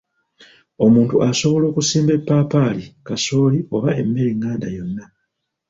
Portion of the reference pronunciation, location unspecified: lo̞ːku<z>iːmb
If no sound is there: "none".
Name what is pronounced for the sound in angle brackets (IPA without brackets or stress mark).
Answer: s